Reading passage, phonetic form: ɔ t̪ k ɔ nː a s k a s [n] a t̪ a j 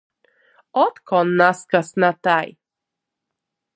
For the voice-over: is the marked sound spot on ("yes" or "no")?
yes